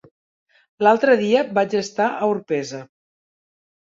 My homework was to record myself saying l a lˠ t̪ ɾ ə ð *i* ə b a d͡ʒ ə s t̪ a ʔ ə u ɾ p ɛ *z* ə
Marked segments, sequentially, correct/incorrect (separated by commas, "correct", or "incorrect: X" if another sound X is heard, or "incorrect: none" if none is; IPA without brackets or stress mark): correct, correct